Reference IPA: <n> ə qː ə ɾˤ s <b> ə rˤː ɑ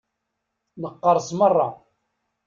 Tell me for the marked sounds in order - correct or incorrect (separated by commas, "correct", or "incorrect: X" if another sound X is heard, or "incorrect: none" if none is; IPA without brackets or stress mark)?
correct, incorrect: m